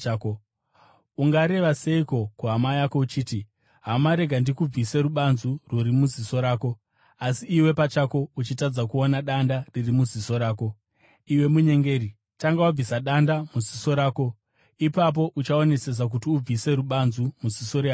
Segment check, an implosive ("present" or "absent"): present